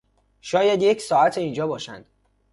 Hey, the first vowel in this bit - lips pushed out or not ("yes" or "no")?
yes